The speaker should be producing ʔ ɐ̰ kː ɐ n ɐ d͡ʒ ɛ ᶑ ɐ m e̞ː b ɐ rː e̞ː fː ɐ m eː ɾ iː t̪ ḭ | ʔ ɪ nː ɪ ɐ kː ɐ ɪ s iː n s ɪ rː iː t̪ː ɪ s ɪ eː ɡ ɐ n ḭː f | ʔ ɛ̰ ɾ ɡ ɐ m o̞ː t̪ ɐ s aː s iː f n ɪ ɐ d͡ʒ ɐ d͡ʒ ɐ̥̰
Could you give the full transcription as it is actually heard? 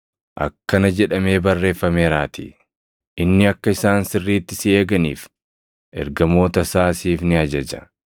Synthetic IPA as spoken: ʔ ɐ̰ kː ɐ n ɐ d͡ʒ ɛ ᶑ ɐ m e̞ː b ɐ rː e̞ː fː ɐ m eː ɾ aː t̪ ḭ | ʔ ɪ nː ɪ ɐ kː ɐ ɪ s aː n s ɪ rː iː t̪ː ɪ s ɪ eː ɡ ɐ n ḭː f | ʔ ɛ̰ ɾ ɡ ɐ m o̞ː t̪ ɐ s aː s iː f n ɪ ɐ d͡ʒ ɐ d͡ʒ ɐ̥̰